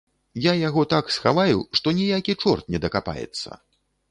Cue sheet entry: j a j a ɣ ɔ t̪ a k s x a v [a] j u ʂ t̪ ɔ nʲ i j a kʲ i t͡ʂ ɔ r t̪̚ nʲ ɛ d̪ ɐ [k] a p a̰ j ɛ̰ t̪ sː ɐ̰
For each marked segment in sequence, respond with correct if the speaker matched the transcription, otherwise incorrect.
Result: correct, correct

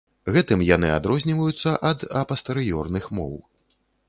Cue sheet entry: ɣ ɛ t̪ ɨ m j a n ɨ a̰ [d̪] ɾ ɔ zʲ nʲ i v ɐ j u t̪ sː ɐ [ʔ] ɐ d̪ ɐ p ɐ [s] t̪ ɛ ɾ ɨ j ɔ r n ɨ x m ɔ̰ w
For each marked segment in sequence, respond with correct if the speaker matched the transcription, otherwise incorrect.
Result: correct, correct, correct

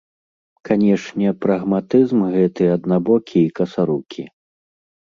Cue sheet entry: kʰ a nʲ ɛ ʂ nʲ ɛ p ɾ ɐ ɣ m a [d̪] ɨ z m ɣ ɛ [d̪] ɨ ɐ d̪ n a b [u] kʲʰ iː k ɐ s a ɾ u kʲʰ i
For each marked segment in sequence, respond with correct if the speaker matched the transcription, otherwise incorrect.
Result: incorrect, incorrect, incorrect

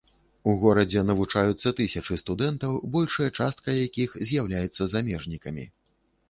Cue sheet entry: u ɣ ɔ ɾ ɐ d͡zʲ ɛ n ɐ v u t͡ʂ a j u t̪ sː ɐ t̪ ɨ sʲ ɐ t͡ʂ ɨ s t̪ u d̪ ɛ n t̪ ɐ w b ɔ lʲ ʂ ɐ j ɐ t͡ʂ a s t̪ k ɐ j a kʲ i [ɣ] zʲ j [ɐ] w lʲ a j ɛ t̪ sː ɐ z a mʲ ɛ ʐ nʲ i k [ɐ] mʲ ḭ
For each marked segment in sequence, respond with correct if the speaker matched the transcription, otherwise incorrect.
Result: incorrect, incorrect, correct

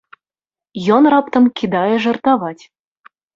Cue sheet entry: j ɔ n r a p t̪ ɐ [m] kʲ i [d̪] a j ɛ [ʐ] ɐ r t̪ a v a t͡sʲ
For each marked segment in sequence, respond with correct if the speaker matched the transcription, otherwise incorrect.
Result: correct, correct, correct

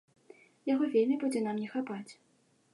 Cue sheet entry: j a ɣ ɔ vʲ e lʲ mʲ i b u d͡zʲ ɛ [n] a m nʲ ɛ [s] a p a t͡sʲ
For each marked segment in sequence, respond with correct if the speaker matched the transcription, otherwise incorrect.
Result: correct, incorrect

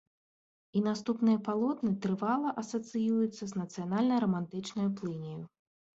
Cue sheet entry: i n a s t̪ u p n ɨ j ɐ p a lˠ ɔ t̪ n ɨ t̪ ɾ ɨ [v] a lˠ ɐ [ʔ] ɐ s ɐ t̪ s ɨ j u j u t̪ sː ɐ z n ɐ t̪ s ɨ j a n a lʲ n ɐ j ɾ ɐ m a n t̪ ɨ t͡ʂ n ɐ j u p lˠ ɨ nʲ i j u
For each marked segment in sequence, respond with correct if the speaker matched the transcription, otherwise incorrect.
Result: correct, correct

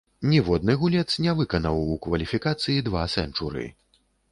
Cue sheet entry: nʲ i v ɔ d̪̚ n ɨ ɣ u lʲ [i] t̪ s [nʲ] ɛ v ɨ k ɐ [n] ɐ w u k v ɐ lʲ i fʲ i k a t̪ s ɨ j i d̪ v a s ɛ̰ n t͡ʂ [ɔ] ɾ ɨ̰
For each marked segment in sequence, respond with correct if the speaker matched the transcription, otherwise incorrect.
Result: incorrect, correct, correct, incorrect

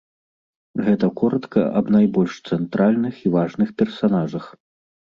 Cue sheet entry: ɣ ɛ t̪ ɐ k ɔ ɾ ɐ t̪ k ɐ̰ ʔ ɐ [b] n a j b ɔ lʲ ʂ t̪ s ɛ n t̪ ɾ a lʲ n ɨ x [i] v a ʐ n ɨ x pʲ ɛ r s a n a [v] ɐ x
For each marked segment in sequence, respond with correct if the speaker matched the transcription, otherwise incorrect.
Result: correct, correct, incorrect

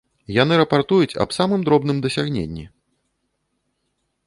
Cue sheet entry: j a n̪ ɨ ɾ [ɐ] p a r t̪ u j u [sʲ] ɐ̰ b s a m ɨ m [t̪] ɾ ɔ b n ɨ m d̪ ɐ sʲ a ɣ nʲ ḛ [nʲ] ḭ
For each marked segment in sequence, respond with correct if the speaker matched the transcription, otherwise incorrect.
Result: correct, incorrect, incorrect, incorrect

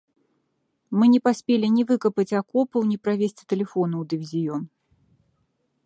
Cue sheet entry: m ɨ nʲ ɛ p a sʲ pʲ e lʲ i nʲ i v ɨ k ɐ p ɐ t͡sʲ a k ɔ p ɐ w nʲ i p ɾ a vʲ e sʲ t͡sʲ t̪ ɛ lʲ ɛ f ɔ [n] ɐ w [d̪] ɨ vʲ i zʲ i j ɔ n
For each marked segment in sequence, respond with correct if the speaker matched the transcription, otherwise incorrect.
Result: correct, correct

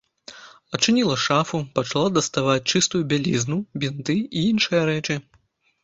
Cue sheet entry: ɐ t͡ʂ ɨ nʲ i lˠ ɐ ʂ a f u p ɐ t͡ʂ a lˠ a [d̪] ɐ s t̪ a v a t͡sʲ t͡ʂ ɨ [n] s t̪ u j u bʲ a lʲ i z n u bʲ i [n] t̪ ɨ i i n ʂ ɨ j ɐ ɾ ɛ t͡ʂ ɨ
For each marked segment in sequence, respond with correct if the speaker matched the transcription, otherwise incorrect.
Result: correct, incorrect, correct

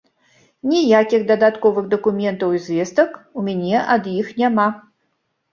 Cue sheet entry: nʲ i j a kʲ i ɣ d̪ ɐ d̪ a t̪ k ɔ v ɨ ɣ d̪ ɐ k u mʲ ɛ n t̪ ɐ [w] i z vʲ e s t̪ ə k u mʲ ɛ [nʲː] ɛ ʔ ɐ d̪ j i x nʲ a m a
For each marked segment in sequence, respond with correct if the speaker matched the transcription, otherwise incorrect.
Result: correct, incorrect

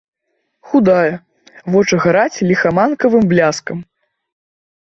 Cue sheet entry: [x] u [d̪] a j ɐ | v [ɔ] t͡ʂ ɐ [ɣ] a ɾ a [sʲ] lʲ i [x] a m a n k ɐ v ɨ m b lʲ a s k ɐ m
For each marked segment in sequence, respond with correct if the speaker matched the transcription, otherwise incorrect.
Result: correct, correct, correct, correct, incorrect, correct

